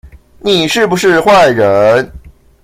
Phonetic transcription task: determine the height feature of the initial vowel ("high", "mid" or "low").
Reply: high